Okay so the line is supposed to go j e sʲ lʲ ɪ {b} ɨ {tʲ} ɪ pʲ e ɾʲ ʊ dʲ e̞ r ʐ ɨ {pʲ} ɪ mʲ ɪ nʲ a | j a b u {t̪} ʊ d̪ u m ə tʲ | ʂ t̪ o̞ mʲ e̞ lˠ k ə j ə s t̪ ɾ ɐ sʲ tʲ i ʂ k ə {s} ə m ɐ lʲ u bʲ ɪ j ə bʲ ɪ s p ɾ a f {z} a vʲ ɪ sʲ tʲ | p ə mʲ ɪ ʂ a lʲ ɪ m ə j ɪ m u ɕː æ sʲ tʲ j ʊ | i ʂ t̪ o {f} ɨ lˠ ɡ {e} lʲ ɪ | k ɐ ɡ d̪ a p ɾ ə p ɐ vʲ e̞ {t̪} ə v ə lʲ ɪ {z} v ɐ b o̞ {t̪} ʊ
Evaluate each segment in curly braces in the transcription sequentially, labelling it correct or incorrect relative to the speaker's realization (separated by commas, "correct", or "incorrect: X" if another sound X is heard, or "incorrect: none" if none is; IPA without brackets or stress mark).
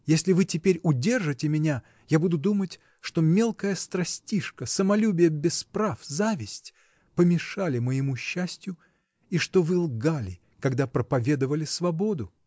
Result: incorrect: v, correct, incorrect: tʲ, incorrect: d̪, correct, correct, incorrect: v, incorrect: a, incorrect: d̪, incorrect: s, incorrect: d̪